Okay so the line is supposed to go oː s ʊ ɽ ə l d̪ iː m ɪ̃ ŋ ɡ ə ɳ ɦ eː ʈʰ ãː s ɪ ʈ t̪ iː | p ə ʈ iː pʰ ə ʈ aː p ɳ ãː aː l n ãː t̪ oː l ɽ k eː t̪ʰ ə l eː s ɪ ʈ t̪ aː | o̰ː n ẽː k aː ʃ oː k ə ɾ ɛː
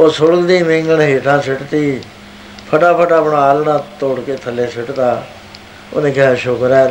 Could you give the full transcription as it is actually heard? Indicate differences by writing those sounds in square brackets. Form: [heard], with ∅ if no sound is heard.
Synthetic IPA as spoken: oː s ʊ ɽ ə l d̪ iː m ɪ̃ ŋ ɡ ə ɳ ɦ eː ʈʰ ãː s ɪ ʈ t̪ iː | [pʰ] ə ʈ [aː] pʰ ə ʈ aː p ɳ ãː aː l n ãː t̪ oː [∅] ɽ k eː t̪ʰ ə l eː s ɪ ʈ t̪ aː | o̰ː n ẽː k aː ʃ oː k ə ɾ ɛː